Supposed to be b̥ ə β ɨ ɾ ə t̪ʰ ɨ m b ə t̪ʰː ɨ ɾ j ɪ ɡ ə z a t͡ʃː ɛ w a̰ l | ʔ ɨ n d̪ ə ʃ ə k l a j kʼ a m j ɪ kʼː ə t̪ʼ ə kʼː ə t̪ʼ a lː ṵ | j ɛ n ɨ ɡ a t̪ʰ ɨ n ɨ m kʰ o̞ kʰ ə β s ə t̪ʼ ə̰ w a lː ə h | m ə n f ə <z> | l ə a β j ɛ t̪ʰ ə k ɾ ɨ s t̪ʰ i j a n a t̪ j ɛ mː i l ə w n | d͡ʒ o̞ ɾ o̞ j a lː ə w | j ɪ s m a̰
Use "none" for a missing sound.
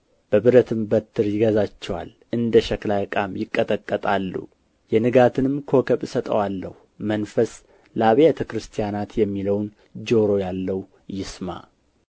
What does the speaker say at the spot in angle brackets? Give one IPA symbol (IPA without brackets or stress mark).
s